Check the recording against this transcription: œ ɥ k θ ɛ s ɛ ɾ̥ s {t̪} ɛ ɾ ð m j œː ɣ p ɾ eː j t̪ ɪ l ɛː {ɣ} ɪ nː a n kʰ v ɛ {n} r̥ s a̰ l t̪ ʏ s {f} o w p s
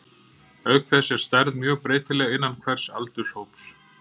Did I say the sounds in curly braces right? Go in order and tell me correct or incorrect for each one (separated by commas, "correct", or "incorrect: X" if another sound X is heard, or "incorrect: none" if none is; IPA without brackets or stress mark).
correct, correct, incorrect: none, incorrect: h